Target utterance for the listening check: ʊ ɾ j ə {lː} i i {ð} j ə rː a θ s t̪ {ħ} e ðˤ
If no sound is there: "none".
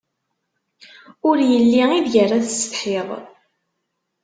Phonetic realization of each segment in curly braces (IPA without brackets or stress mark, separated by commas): lː, ð, ħ